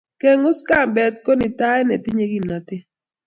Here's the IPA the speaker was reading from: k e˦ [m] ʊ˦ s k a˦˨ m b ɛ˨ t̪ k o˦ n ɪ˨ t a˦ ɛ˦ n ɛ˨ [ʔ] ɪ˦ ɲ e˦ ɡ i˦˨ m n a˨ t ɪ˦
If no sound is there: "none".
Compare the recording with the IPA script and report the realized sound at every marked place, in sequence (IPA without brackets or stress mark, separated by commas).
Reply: ŋ, t